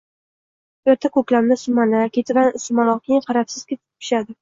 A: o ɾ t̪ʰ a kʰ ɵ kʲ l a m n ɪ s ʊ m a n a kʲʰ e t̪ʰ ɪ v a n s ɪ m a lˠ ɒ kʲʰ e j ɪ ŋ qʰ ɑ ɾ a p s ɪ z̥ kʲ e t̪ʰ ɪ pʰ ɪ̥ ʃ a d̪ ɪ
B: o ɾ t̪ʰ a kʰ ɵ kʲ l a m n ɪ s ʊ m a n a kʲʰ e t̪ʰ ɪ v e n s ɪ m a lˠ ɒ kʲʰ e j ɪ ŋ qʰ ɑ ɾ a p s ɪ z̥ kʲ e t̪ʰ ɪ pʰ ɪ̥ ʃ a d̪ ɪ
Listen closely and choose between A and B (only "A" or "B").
A